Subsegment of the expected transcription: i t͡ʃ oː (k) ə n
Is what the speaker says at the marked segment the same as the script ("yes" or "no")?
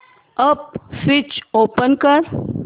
no